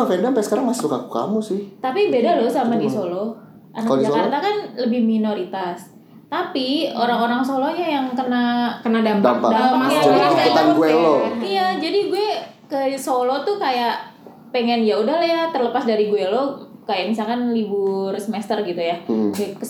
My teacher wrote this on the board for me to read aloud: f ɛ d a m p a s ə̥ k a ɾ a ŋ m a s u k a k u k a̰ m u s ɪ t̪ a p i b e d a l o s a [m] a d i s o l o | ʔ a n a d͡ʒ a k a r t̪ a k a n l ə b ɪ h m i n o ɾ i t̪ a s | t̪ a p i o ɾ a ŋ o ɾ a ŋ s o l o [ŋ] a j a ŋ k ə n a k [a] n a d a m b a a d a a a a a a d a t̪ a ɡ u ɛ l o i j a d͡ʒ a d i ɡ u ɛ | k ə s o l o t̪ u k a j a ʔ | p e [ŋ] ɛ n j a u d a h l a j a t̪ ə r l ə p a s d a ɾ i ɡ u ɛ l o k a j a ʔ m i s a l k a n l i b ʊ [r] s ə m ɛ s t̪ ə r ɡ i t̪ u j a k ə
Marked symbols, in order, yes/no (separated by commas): yes, no, no, yes, yes